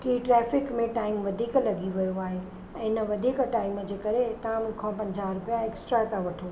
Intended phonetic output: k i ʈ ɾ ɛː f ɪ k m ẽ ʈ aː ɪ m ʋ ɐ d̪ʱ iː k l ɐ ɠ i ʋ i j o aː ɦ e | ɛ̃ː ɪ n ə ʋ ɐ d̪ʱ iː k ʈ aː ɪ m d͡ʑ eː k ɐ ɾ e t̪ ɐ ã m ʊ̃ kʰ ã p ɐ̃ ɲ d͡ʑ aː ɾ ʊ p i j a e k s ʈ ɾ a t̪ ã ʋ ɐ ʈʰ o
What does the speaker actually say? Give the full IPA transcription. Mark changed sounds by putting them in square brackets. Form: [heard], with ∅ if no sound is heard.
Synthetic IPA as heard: k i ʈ ɾ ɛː f ɪ k m ẽ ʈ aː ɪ m ʋ ɐ d̪ʱ iː k l ɐ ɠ i ʋ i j o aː ɦ e | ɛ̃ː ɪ n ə ʋ ɐ d̪ʱ iː k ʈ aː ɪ m d͡ʑ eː k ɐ ɾ e t̪ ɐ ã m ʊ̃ kʰ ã p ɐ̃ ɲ d͡ʑ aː ɾ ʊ p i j a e k s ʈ ɾ a t̪ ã ʋ ɐ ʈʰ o